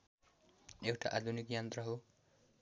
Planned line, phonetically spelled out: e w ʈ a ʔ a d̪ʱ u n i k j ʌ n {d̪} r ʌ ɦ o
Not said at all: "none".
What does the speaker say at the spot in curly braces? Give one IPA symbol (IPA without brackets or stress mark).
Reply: t̪